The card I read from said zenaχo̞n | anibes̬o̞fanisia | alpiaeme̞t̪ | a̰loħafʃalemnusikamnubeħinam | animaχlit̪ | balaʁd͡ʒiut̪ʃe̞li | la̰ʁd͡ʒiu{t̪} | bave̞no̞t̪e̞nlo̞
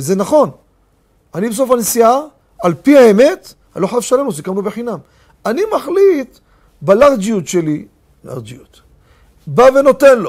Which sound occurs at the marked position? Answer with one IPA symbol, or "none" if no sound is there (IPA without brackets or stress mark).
t̪